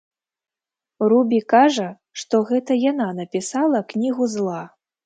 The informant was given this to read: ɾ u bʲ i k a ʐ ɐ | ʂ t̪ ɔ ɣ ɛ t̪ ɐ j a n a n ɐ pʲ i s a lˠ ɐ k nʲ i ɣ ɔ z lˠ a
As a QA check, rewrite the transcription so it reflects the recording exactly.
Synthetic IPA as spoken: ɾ u bʲ i k a ʐ ɐ | ʂ t̪ ɔ ɣ ɛ t̪ ɐ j a n a n ɐ pʲ i s a lˠ ɐ k nʲ i ɣ u z lˠ a